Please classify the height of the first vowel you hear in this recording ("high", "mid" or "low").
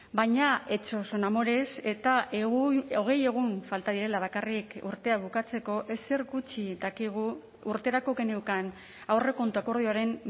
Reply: low